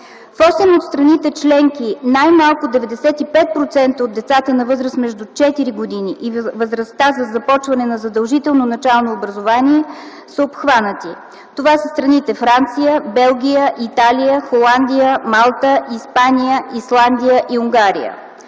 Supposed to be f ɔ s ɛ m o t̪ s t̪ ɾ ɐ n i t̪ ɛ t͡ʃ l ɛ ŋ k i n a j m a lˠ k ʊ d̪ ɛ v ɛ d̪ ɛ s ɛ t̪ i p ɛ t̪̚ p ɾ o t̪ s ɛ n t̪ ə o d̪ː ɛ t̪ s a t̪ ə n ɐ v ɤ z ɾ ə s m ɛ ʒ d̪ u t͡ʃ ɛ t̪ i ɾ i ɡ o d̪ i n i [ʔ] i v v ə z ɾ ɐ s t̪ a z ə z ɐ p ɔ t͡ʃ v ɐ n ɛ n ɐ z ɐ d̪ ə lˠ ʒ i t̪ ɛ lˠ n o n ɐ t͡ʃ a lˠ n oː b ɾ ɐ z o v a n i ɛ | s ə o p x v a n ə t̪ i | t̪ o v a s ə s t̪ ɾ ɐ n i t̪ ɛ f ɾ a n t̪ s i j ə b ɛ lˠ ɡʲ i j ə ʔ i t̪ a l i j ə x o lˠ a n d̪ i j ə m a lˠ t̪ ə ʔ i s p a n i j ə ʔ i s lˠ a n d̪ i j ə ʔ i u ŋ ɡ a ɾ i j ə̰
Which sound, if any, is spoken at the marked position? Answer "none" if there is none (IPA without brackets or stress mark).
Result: ʔ